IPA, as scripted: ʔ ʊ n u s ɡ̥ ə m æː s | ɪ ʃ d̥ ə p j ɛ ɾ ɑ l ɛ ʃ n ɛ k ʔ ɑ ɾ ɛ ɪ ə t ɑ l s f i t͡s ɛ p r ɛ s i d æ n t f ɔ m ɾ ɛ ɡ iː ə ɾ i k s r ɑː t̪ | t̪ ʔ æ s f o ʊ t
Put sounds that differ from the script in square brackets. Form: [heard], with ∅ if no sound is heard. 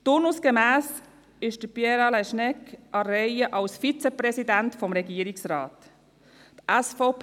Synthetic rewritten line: [t] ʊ n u s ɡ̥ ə m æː s | ɪ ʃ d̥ ə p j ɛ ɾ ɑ l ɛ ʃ n ɛ k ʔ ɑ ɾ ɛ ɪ ə [ʔ] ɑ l s f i t͡s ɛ p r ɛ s i d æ n t f ɔ m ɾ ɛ ɡ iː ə ɾ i k s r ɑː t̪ | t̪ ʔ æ s f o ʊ [p]